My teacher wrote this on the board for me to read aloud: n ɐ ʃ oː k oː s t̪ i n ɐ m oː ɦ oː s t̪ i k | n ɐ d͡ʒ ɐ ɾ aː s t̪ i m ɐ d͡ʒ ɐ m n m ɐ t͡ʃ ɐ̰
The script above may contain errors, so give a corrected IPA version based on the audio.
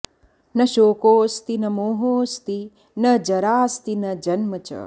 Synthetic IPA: n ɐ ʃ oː k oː s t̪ i n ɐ m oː ɦ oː s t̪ i | n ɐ d͡ʒ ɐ ɾ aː s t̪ i n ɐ d͡ʒ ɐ n m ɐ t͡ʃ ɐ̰